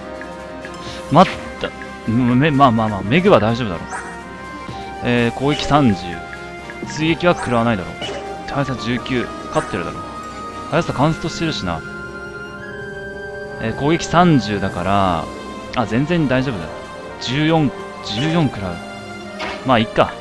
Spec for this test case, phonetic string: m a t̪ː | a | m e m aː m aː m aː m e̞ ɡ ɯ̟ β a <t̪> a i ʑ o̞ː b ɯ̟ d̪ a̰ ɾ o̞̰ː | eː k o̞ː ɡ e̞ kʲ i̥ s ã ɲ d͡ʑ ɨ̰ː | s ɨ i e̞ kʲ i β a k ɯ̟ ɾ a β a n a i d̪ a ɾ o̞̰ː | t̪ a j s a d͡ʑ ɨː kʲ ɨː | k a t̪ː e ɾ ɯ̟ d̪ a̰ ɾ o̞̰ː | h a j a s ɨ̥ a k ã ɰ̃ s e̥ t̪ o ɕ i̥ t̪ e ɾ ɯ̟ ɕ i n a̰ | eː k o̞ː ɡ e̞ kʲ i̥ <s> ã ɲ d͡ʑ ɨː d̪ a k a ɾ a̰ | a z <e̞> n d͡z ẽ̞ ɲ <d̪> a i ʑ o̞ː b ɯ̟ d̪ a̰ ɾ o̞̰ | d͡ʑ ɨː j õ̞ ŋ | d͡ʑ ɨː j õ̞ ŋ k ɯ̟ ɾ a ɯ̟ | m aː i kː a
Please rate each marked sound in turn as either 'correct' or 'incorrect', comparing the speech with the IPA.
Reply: incorrect: d̪, correct, incorrect: ẽ̞, correct

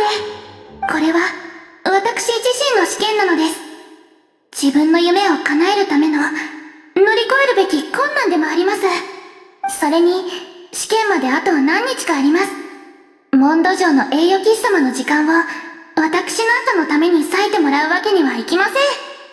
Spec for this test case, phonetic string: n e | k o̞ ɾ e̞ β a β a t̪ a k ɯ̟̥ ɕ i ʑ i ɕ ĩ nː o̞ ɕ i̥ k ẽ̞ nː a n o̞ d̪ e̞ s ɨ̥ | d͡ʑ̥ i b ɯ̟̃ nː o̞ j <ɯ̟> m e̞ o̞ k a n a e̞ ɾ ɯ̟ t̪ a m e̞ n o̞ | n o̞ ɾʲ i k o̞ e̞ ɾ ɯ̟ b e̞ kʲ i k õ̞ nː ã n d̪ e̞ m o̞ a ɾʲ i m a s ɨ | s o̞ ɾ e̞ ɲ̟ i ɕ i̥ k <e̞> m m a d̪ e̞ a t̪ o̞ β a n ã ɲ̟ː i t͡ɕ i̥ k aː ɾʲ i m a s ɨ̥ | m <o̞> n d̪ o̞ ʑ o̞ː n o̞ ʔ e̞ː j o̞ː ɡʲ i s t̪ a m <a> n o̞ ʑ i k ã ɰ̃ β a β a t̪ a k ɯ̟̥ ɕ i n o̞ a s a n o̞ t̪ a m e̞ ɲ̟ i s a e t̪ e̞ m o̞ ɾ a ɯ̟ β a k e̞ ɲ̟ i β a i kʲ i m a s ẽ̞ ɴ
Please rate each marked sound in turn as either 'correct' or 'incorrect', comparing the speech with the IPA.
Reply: correct, incorrect: ẽ̞, incorrect: õ̞, correct

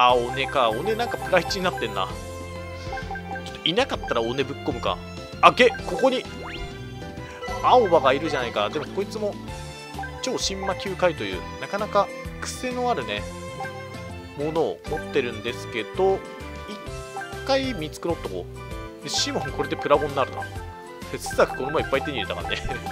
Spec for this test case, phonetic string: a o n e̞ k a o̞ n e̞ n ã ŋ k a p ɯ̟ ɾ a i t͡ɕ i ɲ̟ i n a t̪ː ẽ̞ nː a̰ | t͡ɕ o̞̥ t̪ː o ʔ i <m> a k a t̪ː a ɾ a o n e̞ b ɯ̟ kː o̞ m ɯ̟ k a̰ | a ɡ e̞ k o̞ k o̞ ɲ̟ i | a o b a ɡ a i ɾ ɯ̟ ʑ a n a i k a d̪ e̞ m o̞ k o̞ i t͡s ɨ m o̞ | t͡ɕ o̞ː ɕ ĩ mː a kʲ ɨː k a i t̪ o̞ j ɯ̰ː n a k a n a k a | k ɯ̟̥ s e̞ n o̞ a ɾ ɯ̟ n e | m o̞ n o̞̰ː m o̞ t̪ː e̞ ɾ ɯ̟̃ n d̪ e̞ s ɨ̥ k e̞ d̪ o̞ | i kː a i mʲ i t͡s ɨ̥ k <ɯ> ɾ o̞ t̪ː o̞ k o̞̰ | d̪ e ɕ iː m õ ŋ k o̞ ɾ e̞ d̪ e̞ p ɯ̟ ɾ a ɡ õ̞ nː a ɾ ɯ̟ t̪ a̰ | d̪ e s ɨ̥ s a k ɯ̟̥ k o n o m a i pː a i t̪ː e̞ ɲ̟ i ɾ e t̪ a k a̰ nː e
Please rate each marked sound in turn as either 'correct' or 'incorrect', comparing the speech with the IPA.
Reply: incorrect: n, correct

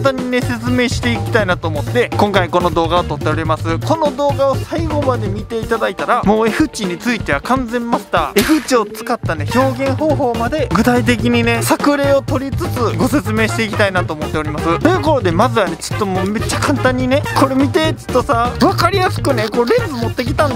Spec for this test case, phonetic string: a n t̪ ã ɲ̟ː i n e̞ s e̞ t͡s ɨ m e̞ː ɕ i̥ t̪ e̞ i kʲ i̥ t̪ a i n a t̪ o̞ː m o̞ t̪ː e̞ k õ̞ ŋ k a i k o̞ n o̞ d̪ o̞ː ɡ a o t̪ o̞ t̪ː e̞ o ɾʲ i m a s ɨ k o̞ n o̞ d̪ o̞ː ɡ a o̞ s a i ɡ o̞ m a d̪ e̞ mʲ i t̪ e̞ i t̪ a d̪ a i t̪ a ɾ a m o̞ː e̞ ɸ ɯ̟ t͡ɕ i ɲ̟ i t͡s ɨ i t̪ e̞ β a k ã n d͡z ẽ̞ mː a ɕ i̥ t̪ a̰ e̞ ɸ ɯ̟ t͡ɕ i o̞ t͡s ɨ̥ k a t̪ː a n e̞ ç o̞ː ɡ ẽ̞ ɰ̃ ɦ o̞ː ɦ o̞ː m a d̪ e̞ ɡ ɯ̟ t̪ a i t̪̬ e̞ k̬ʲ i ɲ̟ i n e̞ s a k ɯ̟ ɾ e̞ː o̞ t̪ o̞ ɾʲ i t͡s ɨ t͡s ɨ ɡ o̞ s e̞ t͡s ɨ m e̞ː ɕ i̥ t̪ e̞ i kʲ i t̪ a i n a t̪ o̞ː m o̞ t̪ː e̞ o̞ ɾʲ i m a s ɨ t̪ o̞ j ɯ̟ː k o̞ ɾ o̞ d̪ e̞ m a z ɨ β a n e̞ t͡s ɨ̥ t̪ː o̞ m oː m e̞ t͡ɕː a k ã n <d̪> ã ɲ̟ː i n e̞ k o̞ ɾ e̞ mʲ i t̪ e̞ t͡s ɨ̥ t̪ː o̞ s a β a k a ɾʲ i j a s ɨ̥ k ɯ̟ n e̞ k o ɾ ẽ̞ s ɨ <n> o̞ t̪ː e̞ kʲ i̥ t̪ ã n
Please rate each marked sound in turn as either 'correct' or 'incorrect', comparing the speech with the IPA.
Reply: incorrect: t̪, incorrect: m

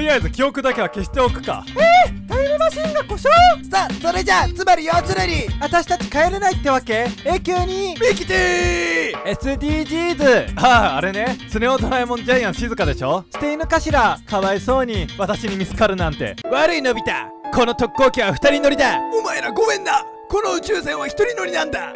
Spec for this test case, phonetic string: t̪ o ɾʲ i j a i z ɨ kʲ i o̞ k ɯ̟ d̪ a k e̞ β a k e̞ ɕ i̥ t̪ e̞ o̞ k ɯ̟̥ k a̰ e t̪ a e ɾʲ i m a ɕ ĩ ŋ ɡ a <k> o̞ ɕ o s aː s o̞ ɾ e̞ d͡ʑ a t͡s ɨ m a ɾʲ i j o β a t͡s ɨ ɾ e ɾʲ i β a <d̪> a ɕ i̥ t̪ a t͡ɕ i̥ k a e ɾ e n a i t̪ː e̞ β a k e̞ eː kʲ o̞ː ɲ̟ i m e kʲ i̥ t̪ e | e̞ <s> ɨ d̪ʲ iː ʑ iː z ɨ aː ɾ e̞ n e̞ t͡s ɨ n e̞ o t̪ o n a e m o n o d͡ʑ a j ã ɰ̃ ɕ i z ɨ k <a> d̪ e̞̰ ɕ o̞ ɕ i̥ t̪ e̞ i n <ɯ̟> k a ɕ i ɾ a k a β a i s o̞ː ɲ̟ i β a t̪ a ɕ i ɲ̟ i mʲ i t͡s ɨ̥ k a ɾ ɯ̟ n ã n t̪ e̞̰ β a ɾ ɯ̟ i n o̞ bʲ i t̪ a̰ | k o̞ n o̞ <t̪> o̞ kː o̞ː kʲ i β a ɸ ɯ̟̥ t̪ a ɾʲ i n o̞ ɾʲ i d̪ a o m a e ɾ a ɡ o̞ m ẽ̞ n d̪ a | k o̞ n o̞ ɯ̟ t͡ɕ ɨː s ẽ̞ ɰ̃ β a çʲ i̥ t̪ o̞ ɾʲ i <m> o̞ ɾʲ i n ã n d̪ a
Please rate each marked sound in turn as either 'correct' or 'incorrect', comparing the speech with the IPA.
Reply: correct, incorrect: t̪, correct, correct, correct, correct, incorrect: n

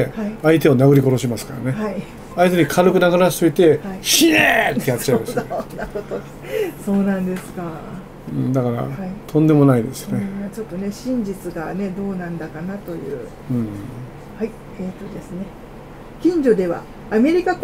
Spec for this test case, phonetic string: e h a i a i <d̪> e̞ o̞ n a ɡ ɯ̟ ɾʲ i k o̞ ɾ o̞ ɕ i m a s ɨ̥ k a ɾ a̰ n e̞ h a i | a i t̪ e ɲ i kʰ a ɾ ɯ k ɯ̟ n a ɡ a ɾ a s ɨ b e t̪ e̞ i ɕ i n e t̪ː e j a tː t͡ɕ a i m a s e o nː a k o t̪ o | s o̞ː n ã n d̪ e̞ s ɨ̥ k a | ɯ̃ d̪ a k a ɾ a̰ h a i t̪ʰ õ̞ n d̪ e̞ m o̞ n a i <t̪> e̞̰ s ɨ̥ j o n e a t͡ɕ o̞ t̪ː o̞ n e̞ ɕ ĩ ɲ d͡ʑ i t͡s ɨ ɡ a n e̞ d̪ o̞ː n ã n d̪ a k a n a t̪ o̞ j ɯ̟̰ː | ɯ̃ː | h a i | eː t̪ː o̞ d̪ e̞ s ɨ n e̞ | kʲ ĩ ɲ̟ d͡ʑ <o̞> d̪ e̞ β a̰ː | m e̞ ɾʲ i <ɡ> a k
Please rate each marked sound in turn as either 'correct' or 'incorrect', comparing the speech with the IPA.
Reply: incorrect: t̪, incorrect: d̪, correct, incorrect: k

